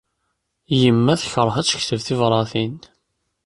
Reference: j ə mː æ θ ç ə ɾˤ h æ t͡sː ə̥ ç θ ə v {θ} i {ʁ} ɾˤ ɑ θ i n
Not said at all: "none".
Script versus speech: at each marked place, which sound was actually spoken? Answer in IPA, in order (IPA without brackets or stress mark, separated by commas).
θ, v